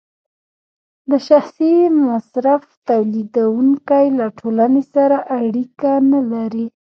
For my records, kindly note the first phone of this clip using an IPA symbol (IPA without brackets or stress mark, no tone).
d̪